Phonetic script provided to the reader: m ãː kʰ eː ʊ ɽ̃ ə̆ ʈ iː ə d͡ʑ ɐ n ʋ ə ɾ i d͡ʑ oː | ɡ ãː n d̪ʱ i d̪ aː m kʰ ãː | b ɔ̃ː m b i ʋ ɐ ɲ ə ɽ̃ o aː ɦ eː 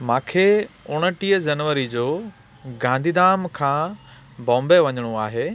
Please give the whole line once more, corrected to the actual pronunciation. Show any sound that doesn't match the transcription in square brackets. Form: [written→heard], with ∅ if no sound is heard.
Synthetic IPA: m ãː kʰ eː ʊ ɽ̃ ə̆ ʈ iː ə d͡ʑ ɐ n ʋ ə ɾ i d͡ʑ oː | ɡ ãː n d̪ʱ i d̪ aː m kʰ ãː | b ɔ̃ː m b [i→e] ʋ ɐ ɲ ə ɽ̃ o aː ɦ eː

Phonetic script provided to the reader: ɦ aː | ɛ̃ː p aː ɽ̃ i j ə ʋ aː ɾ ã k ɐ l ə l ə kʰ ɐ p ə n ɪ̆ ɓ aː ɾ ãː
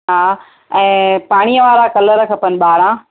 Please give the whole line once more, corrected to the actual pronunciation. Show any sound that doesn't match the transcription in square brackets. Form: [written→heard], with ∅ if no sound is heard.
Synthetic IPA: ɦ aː | ɛ̃ː p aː ɽ̃ i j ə ʋ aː ɾ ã k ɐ l ə [l→ɾ] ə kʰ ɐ p ə n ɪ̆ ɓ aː ɾ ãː

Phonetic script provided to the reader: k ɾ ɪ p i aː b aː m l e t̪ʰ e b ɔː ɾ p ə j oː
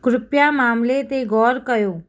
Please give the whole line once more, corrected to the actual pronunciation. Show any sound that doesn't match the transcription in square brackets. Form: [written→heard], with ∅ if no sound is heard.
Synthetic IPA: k ɾ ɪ p [i→j] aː [b→m] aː m l e [t̪ʰ→t̪] e [b→ɡ] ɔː ɾ [p→k] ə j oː

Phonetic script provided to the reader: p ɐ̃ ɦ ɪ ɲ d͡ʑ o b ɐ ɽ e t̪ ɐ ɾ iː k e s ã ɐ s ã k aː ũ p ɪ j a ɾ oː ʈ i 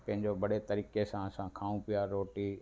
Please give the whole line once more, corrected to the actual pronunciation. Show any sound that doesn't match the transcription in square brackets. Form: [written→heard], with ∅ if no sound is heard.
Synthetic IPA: p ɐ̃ ɦ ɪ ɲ d͡ʑ o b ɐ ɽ e t̪ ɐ ɾ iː k e s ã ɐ s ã [k→kʰ] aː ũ p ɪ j a ɾ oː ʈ i

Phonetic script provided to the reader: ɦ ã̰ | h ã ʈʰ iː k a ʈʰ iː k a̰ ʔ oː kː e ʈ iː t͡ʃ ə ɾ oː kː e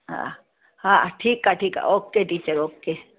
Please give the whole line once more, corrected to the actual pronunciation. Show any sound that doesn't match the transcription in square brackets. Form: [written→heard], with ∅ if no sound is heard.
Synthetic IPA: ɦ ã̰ | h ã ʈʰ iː k a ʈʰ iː k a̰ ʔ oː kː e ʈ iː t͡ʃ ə ɾ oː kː e

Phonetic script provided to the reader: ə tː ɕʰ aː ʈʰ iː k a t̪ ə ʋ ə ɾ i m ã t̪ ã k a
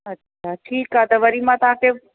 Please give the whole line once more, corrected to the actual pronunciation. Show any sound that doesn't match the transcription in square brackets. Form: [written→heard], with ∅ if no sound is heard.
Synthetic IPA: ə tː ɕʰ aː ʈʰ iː k a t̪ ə ʋ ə ɾ i m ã t̪ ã k [a→e]

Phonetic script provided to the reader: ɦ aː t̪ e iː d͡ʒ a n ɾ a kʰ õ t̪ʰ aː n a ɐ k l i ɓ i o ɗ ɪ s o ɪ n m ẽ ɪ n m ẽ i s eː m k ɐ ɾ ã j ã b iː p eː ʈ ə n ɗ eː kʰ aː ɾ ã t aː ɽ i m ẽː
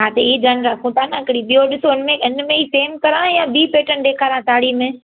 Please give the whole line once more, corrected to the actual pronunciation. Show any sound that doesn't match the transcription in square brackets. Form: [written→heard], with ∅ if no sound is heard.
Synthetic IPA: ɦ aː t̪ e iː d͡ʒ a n ɾ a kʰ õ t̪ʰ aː n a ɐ k [l→ɽ] i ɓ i o ɗ ɪ s o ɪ n m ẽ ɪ n m ẽ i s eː m k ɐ ɾ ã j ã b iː p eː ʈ ə n ɗ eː kʰ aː ɾ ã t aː ɽ i m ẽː

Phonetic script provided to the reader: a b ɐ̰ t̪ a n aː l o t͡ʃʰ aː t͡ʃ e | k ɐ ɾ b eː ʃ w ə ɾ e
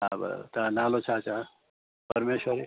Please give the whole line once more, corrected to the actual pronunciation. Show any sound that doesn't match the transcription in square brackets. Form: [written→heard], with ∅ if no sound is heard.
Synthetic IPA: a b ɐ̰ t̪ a n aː l o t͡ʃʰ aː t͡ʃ [e→a] | [k→p] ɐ ɾ [b→m] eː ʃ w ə ɾ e

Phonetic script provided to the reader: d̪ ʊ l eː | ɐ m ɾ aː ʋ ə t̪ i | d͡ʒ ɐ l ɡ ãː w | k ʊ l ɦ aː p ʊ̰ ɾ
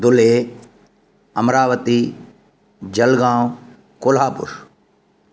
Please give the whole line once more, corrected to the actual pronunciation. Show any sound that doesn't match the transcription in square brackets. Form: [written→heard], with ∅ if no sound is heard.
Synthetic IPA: d̪ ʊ l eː | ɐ m ɾ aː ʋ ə t̪ i | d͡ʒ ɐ l ɡ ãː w | k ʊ l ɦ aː p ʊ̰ ɾ

